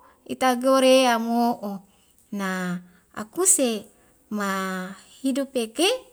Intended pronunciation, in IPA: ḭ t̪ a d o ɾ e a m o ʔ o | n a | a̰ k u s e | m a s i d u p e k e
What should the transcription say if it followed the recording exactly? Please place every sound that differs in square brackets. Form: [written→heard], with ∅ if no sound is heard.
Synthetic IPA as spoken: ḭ t̪ a [d→ɡ] o ɾ e a m o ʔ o | n a | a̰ k u s e | m a [s→h] i d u p e k e